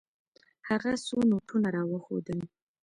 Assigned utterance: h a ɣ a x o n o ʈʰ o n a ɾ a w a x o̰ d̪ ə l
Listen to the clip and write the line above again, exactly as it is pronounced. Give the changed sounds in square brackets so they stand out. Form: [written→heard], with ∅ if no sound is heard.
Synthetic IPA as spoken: h a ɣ a [x→s] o n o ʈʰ [o→u] n a ɾ [a→ɑ] w [a→ə] x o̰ d̪ ə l